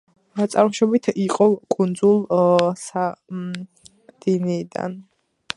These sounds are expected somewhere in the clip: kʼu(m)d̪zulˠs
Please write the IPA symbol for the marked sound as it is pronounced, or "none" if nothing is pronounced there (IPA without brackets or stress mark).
n